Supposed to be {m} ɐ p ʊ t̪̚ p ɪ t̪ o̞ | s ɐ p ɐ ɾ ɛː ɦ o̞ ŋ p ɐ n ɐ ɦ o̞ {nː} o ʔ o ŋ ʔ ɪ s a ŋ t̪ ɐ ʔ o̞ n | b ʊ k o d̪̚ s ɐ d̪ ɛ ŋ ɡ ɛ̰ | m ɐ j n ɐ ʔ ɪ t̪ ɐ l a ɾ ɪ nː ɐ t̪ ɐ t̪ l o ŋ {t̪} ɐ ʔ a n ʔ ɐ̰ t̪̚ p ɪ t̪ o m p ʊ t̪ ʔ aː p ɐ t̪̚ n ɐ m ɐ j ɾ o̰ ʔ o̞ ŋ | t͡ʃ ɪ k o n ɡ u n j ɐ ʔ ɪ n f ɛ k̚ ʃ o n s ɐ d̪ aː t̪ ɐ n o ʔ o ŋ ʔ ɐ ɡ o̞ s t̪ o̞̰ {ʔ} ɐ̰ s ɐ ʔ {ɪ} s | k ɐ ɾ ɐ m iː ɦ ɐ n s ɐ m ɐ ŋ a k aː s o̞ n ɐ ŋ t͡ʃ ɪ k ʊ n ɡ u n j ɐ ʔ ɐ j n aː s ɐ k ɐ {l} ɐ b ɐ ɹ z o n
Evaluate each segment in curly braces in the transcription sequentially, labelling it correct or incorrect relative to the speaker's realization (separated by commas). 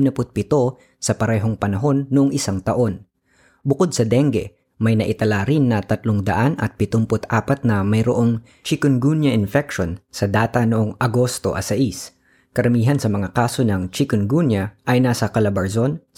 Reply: incorrect, correct, incorrect, correct, incorrect, correct